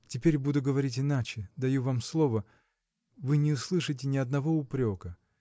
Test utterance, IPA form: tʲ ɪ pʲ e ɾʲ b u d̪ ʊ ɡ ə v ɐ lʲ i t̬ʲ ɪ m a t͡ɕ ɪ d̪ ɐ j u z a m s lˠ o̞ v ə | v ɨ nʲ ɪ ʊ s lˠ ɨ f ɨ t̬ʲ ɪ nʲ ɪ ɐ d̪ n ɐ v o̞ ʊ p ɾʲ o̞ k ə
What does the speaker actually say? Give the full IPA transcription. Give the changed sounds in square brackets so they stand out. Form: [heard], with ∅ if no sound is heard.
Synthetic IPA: tʲ ɪ pʲ e ɾʲ b u d̪ ʊ ɡ ə v ɐ [ɾʲ] i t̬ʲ ɪ [n] a t͡ɕ ɪ d̪ ɐ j u [v] a m s lˠ o̞ v ə | v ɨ nʲ ɪ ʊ s lˠ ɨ [ʂ] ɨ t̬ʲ ɪ nʲ ɪ ɐ d̪ n ɐ v o̞ ʊ p ɾʲ o̞ k ə

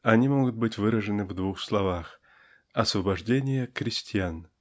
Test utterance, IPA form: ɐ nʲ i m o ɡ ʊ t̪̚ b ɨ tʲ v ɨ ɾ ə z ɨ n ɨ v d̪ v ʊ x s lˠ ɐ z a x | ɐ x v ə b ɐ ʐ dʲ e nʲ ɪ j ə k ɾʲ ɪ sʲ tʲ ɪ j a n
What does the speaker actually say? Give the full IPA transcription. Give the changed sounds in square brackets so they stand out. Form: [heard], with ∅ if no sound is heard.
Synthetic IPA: ɐ nʲ i m o ɡ ʊ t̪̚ b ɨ tʲ v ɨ ɾ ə [ʐ] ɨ n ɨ v d̪ v [u] x s lˠ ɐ [v] a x | ɐ [s] v ə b ɐ ʐ dʲ e nʲ ɪ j ə k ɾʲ ɪ sʲ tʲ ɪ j a n

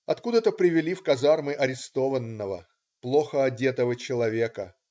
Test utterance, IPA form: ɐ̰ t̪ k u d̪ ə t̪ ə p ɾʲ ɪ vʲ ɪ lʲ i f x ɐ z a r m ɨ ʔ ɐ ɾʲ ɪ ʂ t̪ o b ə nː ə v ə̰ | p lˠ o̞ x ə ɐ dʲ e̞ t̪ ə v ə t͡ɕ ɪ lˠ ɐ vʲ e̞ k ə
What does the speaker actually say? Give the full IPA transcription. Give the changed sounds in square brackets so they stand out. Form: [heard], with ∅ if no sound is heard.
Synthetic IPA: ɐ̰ t̪ k u d̪ ə t̪ ə p ɾʲ ɪ vʲ ɪ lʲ i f [k] ɐ z a r m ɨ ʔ ɐ ɾʲ ɪ [s] t̪ o [v] ə nː ə v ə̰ | p lˠ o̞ x ə ɐ dʲ e̞ t̪ ə v ə t͡ɕ ɪ lˠ ɐ vʲ e̞ k ə

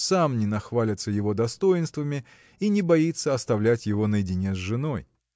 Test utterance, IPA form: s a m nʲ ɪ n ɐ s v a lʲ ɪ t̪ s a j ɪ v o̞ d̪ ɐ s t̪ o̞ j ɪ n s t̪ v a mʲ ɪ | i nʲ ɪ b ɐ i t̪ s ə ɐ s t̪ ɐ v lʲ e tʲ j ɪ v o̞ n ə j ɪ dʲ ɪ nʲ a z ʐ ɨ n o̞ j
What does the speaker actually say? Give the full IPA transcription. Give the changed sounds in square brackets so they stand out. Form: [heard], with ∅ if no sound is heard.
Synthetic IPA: s a m nʲ ɪ n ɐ [x] v a lʲ ɪ t̪ s [ə] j ɪ v o̞ d̪ ɐ s t̪ o̞ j ɪ n s t̪ v [ə] mʲ ɪ | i nʲ ɪ b ɐ i t̪ s ə ɐ s t̪ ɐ v lʲ [æ] tʲ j ɪ v o̞ n ə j ɪ dʲ ɪ nʲ [e] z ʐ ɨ n o̞ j

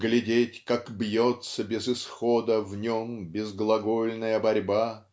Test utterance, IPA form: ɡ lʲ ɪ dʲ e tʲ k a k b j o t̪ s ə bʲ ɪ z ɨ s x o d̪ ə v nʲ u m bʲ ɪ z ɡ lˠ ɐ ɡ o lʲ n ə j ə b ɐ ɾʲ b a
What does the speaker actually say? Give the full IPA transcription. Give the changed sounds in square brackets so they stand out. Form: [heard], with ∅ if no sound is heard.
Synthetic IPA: ɡ lʲ ɪ dʲ e tʲ k a k b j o t̪ s ə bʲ ɪ z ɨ s x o d̪ ə v nʲ [o] m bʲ ɪ z ɡ lˠ ɐ ɡ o lʲ n ə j ə b ɐ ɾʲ b a

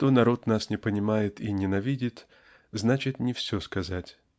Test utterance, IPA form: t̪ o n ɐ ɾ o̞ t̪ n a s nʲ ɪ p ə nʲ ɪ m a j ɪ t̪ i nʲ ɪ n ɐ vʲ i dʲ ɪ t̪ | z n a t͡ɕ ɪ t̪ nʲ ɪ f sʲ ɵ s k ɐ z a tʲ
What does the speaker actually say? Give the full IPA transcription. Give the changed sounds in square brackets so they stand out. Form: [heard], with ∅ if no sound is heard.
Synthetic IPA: t̪ o n ɐ ɾ o̞ t̪ n a s nʲ ɪ p ə nʲ ɪ m a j ɪ t̪ i nʲ ɪ n ɐ vʲ i dʲ ɪ t̪ | z n a t͡ɕ ɪ t̪ nʲ ɪ f sʲ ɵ s k ɐ z a tʲ

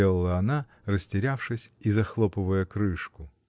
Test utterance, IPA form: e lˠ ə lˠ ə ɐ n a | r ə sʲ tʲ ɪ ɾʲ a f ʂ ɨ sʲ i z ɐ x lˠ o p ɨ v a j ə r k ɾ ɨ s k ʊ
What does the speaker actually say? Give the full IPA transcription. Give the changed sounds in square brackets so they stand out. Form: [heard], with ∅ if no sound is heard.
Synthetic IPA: e lˠ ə lˠ ə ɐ n a | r ə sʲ tʲ ɪ ɾʲ a f ʂ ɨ sʲ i z ɐ x lˠ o p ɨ v [ə] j ə [∅] k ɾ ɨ [ʂ] k ʊ

